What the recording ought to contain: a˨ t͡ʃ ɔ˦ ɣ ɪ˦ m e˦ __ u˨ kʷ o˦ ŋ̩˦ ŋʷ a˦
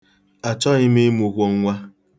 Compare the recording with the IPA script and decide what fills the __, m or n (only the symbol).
m